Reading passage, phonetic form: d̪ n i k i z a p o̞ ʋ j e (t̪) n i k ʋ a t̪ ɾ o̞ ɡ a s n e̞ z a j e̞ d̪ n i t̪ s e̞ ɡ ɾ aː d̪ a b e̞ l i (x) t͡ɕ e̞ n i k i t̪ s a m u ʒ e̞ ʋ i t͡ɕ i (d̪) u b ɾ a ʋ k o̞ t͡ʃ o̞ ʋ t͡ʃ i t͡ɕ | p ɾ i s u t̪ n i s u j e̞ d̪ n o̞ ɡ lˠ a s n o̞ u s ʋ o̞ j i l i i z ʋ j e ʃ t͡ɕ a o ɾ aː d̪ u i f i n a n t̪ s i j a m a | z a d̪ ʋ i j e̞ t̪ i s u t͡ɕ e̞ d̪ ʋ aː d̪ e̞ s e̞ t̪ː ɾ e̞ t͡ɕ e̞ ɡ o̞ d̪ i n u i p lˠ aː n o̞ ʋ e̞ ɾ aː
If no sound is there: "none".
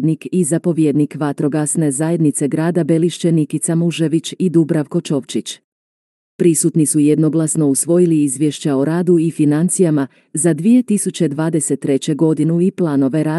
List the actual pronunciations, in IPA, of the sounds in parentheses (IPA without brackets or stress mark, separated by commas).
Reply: d̪, ʃ, d̪